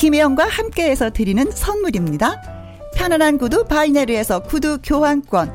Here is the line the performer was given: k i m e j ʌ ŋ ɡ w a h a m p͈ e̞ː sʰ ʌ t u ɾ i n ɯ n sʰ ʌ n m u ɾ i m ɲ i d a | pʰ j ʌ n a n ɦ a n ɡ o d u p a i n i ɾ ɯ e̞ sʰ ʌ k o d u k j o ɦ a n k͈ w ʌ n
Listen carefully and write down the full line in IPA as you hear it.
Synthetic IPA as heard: k i m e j ʌ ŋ ɡ w a h a m k͈ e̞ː sʰ ʌ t ɯ ɾ i n ɯ n sʰ ʌ n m u ɾ i m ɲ i d a | pʰ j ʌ n a n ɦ a n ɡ u d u p a i n e ɾ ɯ e̞ sʰ ʌ k u d u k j o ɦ a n k͈ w ʌ n